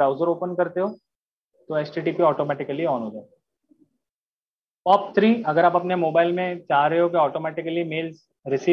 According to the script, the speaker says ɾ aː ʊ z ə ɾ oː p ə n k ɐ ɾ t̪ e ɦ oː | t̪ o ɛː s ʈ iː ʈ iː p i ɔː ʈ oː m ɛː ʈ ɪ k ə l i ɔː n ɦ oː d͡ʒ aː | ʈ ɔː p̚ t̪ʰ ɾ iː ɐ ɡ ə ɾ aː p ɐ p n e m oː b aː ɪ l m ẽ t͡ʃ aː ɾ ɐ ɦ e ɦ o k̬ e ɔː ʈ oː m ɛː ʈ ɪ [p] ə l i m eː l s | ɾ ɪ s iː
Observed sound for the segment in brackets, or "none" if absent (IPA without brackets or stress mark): k